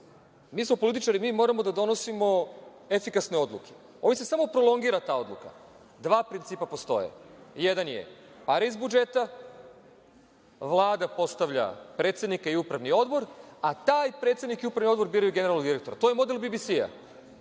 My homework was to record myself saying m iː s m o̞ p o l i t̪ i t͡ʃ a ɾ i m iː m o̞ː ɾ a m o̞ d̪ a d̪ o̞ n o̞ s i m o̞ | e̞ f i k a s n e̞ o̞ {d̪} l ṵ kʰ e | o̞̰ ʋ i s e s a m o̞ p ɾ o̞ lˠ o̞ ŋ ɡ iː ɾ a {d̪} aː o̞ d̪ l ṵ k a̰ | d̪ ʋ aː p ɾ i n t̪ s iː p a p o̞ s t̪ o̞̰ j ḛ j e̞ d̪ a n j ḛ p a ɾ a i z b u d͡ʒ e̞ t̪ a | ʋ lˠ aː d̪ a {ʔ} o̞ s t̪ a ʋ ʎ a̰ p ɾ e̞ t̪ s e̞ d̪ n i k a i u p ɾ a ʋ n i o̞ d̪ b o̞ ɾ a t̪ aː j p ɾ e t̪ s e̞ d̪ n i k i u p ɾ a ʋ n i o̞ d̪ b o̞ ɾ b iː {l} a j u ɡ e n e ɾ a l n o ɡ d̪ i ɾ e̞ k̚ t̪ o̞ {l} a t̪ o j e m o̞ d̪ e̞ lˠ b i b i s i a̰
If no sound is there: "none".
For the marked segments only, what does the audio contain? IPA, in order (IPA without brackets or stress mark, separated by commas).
d̪, t̪, p, ɾ, ɾ